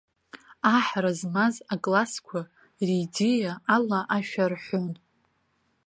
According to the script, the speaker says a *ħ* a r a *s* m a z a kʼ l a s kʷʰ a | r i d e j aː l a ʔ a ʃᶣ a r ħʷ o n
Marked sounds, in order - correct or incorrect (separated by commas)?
correct, incorrect